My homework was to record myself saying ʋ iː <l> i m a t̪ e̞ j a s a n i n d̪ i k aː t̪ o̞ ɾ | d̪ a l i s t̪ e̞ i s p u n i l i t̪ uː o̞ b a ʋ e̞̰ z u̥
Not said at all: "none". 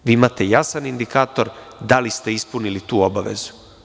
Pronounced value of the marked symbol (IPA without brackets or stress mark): none